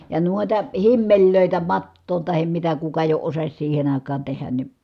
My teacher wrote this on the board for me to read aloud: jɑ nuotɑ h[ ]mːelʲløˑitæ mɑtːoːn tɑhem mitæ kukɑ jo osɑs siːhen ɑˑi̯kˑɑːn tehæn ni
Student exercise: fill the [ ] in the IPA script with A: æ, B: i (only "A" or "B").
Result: B